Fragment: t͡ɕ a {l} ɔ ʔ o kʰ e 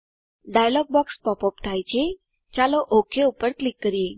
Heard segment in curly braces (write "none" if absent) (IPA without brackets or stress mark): l